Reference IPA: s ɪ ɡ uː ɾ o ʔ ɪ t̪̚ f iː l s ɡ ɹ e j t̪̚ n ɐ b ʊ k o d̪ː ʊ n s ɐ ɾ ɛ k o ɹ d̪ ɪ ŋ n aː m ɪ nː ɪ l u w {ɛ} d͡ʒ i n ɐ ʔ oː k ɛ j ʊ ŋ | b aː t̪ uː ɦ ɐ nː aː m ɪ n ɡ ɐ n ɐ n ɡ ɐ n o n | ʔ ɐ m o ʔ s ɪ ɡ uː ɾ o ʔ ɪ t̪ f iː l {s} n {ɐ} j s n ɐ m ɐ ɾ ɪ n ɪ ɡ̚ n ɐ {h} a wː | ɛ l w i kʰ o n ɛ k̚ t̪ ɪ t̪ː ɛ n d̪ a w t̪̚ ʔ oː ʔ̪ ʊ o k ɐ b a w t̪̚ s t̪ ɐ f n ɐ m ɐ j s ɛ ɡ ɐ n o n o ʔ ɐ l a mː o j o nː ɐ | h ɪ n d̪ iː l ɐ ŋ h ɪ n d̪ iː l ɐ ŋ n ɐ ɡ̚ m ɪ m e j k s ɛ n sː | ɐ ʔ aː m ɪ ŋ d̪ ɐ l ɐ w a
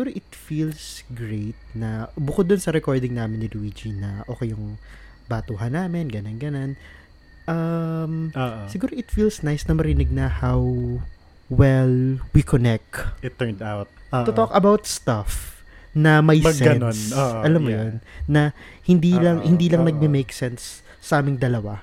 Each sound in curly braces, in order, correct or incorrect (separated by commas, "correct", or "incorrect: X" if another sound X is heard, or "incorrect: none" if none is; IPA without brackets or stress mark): incorrect: i, correct, incorrect: a, correct